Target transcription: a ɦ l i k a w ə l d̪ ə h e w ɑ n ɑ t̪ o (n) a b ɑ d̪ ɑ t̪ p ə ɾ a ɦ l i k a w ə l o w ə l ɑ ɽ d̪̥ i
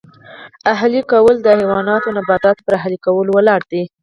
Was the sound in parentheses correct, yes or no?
yes